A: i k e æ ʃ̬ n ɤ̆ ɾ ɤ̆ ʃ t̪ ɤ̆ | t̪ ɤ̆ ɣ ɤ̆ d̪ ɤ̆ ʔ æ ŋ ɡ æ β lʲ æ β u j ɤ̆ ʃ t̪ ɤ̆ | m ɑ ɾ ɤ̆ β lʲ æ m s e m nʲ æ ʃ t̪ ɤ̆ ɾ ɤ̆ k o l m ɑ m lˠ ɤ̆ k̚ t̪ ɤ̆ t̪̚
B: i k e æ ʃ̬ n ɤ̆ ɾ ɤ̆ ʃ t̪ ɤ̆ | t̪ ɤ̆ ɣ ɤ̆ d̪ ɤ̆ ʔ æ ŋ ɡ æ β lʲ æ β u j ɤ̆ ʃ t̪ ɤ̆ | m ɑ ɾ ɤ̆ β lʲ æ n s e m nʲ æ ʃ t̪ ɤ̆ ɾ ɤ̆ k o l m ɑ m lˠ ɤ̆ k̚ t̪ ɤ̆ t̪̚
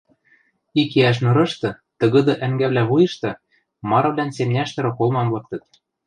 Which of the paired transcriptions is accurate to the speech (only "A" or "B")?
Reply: B